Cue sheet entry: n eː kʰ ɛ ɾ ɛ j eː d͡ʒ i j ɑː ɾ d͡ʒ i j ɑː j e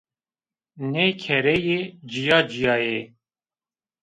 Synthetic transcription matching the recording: n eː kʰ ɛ ɾ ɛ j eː d͡ʒ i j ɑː d͡ʒ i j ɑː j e